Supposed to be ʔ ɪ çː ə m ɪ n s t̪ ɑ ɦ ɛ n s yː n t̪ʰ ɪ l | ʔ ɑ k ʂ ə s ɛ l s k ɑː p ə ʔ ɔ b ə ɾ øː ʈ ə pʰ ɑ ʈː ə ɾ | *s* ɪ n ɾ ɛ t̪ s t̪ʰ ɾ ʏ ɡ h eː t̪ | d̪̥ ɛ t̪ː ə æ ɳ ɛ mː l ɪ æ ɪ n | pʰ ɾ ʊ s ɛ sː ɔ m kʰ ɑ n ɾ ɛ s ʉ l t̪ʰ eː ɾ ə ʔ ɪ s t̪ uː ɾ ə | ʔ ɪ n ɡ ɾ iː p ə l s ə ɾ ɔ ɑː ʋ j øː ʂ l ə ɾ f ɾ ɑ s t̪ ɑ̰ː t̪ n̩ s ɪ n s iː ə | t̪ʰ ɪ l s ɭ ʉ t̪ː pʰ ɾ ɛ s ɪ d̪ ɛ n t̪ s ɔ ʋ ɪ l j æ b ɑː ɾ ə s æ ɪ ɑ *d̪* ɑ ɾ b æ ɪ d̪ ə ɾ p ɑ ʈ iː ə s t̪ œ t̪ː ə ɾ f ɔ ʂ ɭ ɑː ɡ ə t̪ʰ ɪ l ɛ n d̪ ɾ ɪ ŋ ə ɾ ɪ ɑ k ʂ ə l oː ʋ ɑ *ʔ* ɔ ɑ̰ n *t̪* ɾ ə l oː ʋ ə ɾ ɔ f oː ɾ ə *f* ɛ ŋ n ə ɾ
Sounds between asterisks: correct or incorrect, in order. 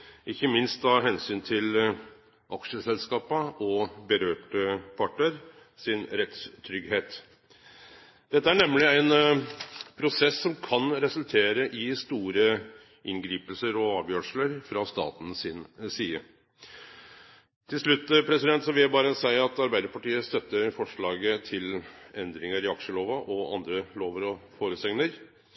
correct, incorrect: t̪, correct, incorrect: d̪, incorrect: s

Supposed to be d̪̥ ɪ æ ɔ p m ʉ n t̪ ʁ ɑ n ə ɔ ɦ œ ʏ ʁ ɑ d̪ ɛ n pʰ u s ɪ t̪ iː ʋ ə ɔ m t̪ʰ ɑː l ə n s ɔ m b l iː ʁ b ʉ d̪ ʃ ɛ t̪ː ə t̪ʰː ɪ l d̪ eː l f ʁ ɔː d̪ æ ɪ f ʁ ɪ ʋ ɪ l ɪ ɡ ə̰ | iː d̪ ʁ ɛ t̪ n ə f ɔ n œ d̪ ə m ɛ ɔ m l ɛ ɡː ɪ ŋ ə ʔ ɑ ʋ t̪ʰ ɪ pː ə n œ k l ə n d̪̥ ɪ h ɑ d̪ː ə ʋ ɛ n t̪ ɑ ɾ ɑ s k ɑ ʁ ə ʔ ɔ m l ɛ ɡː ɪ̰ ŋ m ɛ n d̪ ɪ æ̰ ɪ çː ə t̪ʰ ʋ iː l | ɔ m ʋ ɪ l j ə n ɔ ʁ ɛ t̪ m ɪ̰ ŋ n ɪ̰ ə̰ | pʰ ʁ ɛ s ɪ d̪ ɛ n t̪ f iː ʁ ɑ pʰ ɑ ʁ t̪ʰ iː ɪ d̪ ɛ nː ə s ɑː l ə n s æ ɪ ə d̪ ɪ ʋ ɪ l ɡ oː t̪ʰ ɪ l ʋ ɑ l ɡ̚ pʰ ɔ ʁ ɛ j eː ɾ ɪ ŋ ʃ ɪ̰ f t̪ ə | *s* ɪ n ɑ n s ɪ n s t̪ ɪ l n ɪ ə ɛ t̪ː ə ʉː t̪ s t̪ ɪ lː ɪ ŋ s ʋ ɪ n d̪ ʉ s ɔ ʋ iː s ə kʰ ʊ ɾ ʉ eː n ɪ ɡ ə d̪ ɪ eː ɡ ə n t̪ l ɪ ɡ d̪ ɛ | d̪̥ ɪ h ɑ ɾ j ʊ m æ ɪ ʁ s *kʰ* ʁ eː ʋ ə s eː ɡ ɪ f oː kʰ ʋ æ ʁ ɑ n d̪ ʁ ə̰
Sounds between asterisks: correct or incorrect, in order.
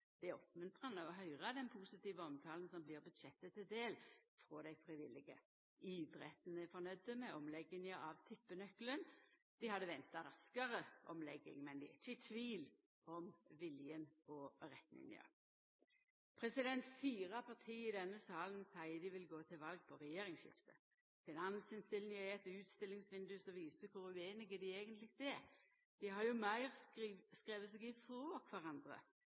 incorrect: f, incorrect: k

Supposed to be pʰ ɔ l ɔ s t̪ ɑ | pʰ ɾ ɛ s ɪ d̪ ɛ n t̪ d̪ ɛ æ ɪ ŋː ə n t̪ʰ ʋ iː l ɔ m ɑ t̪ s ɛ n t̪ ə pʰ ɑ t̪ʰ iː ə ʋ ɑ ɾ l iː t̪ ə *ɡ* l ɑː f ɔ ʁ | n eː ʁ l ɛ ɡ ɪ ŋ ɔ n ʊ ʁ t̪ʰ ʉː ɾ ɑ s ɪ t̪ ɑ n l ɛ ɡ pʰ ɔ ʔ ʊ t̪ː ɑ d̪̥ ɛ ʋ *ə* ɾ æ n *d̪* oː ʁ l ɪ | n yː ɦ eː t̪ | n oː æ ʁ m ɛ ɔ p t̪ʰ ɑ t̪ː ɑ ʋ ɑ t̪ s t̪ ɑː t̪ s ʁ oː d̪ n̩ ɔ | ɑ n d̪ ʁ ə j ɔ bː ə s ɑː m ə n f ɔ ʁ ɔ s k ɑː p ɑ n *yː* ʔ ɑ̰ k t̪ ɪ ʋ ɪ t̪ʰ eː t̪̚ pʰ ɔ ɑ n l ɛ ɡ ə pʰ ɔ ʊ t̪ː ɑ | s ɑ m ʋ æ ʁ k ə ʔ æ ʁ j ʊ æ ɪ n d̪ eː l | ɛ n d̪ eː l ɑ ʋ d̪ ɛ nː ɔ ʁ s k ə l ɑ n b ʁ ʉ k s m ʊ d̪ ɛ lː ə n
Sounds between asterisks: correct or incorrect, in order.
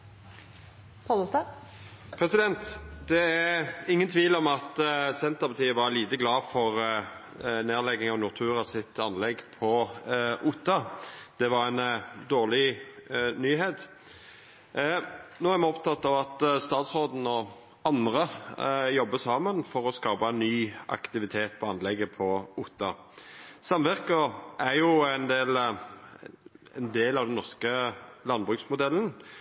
correct, incorrect: ɑ, correct, correct

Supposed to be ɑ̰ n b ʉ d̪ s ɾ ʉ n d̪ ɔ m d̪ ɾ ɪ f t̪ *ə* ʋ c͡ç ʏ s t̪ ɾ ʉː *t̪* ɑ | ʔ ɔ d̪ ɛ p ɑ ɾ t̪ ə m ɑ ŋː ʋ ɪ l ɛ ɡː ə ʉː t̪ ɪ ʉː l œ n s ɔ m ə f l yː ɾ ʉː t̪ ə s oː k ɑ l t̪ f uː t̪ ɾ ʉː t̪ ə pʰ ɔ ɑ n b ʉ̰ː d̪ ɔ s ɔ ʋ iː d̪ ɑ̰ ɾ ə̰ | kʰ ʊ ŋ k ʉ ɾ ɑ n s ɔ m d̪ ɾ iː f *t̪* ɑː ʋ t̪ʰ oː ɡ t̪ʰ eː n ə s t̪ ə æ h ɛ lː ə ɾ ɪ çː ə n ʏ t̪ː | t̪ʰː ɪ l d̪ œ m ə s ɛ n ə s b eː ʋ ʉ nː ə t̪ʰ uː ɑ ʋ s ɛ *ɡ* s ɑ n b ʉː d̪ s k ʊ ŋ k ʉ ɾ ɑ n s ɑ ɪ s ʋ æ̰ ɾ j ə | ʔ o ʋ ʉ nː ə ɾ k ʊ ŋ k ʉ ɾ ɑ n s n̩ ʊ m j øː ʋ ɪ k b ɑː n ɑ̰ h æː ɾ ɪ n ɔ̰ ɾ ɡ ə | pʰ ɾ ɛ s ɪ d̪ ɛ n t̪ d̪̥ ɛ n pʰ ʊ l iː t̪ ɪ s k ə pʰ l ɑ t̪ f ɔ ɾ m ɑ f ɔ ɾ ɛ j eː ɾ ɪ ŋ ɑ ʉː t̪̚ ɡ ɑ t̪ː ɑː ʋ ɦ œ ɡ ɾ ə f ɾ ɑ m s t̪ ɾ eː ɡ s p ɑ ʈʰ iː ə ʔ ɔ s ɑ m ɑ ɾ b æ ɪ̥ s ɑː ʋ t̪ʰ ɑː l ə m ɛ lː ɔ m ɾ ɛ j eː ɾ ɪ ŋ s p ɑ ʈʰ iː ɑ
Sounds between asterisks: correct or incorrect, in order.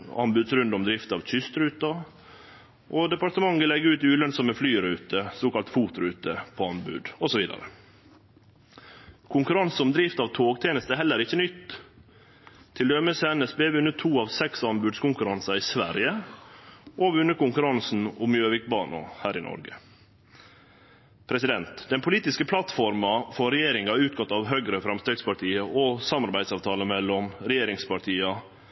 incorrect: ɑ, correct, correct, incorrect: k

